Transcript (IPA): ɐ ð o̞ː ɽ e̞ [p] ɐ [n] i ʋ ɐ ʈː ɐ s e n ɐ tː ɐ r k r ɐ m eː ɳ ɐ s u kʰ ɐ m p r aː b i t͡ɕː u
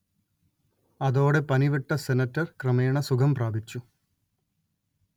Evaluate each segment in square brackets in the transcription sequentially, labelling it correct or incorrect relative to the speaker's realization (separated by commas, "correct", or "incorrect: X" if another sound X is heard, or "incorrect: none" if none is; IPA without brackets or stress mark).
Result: correct, correct